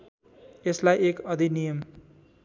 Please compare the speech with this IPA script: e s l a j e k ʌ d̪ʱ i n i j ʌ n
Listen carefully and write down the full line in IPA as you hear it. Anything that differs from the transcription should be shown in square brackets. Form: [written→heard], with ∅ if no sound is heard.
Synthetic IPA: e s l a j e k ʌ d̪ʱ i n i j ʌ [n→m]